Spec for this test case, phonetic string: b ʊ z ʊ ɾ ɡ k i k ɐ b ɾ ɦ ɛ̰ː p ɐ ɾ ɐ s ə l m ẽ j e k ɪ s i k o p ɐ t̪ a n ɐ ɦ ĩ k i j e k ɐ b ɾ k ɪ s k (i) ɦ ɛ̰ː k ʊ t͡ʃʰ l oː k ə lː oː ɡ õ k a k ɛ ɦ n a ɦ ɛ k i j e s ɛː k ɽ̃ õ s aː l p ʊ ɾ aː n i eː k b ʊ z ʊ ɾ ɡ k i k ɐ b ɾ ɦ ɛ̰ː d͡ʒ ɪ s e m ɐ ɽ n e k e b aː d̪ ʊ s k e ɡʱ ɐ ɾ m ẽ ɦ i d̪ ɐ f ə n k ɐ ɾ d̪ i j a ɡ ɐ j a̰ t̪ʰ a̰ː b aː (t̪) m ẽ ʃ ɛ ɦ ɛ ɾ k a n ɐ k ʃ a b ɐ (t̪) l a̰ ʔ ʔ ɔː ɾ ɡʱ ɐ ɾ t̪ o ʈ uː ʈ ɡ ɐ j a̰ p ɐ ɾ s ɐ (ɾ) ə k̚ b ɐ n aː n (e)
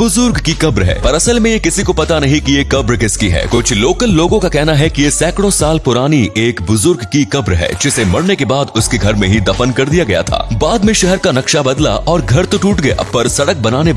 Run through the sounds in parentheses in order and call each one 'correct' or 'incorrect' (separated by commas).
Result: correct, incorrect, incorrect, incorrect, correct